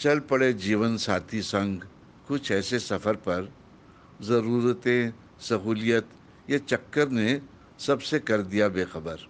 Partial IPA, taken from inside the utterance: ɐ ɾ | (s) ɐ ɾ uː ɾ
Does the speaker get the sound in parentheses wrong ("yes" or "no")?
yes